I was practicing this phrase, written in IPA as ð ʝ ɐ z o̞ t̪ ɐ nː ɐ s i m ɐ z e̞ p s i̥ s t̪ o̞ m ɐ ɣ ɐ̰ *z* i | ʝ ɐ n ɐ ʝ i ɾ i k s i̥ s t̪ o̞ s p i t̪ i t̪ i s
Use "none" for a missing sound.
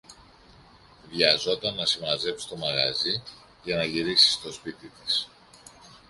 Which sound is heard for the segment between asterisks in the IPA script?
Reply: z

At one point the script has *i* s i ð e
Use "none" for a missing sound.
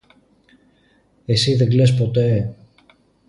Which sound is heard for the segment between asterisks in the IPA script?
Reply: e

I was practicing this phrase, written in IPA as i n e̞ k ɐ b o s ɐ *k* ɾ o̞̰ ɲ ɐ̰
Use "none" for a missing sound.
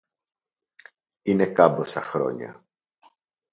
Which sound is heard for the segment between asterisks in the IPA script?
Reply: x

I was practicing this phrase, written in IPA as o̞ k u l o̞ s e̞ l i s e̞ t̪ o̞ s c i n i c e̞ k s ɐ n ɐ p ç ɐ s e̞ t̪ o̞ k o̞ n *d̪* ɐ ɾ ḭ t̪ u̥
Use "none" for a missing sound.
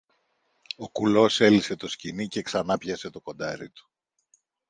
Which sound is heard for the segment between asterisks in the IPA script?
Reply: d̪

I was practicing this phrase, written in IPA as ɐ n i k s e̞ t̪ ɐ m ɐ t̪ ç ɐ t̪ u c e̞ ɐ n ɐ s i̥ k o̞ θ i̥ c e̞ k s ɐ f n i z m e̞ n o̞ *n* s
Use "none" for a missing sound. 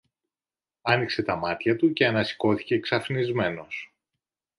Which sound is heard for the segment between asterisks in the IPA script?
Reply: none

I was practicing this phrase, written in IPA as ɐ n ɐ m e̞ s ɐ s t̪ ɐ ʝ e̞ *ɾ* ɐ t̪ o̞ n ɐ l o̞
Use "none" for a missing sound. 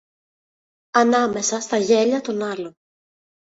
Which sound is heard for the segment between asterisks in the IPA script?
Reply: ʎ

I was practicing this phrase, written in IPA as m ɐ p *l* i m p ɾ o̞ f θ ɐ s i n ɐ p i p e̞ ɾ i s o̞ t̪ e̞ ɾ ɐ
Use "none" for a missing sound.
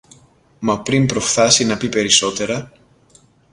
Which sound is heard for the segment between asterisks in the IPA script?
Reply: ɾ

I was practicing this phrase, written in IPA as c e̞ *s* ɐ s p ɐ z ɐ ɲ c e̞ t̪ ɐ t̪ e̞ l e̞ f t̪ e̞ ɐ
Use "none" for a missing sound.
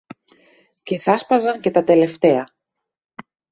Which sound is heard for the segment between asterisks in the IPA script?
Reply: θ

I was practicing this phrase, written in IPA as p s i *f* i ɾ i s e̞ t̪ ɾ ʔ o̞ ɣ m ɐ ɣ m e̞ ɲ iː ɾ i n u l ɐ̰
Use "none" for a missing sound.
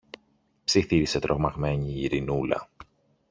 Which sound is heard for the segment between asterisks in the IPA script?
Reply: θ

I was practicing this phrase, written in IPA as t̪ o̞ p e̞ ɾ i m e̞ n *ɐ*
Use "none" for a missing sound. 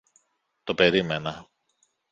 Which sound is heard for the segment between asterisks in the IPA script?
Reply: ɐ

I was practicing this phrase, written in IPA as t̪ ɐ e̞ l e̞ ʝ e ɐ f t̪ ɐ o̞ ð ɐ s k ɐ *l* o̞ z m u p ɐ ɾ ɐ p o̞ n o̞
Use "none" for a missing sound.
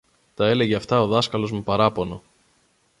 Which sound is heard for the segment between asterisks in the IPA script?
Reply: l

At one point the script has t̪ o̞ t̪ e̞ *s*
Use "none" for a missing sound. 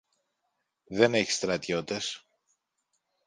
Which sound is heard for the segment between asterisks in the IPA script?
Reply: s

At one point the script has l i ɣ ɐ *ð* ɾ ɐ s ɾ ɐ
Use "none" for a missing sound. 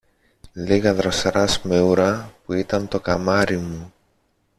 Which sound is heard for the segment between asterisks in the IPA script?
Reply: ð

